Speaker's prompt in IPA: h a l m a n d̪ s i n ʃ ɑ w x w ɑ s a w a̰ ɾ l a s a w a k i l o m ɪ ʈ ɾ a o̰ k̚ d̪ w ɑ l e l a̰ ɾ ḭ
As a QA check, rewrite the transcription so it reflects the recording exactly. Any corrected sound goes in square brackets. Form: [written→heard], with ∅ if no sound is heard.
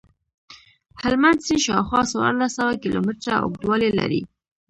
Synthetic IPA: h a l m a n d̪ s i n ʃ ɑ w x w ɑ s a w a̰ ɾ l a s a w a k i l o m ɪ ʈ ɾ a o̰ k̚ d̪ w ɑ l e l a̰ ɾ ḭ